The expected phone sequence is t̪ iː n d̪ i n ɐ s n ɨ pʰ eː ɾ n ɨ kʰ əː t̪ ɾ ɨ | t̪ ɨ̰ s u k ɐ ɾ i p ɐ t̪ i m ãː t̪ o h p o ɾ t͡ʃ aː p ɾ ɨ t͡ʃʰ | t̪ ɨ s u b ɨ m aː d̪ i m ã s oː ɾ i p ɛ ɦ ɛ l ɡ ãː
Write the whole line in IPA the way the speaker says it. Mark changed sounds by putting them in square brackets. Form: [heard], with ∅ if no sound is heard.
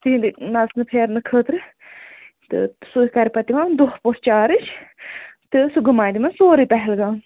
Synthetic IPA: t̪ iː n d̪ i n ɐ s n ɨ pʰ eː ɾ n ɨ kʰ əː t̪ ɾ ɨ | t̪ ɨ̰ s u k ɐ ɾ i p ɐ t̪ i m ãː [d̪] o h p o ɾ t͡ʃ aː [∅] ɾ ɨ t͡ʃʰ | t̪ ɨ s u [ɡ] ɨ m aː d̪ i m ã s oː ɾ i p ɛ ɦ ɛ l ɡ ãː